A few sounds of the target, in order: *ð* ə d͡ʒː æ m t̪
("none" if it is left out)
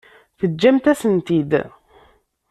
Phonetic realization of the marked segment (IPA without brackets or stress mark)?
θ